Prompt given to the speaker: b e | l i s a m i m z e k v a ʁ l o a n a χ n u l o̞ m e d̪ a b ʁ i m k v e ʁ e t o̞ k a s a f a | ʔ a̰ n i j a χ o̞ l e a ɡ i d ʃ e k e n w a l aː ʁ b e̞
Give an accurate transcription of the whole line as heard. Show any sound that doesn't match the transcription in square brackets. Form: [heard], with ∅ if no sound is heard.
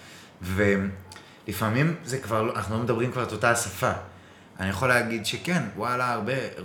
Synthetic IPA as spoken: [v] e | l i [f] a m i m z e k v a ʁ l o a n a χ n u l o̞ m e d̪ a b ʁ i m k v [a] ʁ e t o̞ [t] a s a f a | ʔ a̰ n i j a χ o̞ l e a ɡ i d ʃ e k e n w a l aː ʁ b e̞